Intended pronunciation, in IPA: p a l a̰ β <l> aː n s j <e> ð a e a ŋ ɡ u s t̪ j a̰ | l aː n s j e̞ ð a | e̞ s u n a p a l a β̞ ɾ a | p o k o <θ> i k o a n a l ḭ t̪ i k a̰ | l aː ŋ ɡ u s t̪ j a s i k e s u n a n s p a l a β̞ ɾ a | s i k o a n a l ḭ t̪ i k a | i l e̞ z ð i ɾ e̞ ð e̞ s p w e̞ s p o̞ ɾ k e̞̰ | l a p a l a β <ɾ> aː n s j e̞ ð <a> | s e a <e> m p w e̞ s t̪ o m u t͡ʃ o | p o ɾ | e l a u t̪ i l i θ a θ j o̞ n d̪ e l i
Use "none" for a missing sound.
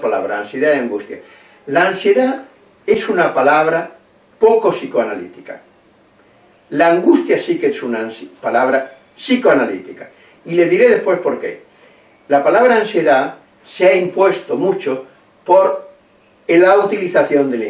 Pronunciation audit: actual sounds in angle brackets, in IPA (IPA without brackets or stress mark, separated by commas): ɾ, e, s, ɾ, a, i